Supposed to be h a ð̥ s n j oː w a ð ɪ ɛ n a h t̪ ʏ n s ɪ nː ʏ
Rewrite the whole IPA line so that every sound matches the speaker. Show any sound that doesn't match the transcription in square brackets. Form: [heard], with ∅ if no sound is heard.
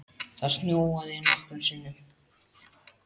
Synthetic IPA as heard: [θ] a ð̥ s n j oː w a ð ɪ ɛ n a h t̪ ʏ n s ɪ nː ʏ